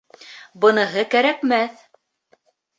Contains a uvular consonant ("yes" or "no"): no